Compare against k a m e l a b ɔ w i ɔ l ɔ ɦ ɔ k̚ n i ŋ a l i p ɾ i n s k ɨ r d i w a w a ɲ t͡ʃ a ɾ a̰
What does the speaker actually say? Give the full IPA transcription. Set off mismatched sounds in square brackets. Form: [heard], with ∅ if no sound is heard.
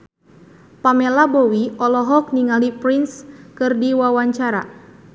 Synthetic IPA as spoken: [p] a m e l a b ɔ w i ɔ l ɔ ɦ ɔ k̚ n i ŋ a l i p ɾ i n s k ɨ r d i w a w a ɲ t͡ʃ a ɾ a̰